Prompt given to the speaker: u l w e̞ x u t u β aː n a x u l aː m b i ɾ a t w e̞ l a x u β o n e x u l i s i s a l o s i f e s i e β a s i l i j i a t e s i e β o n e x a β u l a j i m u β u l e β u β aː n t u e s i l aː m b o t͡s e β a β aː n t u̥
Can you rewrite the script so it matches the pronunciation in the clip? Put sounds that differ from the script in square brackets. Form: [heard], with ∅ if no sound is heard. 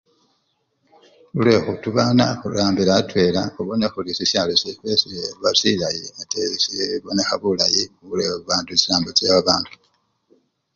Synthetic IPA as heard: u l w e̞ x u t u β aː n a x u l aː m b i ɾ a t w e̞ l a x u β o n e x u l i s i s a l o s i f e s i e β a s i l [a] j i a t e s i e β o n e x a β u l a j i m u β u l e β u β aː n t u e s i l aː m b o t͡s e β a β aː n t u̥